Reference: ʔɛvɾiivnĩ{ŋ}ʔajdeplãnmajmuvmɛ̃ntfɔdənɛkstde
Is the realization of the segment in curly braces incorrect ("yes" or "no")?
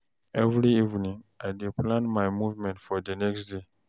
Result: no